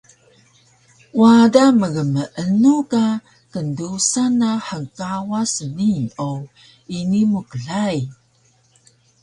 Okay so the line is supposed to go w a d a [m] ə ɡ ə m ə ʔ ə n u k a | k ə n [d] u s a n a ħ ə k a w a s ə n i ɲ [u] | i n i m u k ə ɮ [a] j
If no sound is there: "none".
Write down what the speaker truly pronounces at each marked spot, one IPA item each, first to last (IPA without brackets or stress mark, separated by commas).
m, d, o, a